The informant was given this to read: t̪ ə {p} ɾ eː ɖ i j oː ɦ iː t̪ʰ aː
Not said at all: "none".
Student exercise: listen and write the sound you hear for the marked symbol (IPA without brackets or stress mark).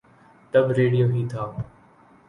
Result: b